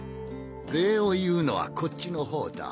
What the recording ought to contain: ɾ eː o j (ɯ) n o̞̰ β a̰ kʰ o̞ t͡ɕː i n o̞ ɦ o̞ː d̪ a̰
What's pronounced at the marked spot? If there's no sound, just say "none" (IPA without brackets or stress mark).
ɯː